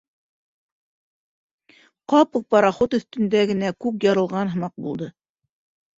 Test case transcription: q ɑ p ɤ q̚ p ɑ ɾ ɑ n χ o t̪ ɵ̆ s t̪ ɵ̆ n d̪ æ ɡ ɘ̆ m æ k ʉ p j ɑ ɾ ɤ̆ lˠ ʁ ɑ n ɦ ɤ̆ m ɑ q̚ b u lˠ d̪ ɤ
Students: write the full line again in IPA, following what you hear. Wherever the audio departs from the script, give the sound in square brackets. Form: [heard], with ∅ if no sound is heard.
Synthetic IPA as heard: q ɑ p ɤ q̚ p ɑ ɾ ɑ [∅] χ o t̪ ɵ̆ [θ] t̪ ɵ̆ n d̪ æ ɡ ɘ̆ [n] æ k ʉ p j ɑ ɾ ɤ̆ lˠ ʁ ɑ n ɦ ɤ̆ m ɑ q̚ b u lˠ d̪ ɤ